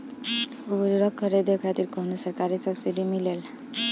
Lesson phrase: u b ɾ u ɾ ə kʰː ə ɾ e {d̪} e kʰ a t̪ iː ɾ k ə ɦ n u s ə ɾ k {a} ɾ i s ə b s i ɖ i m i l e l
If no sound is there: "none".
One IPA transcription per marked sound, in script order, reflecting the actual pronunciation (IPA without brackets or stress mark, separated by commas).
d̪, a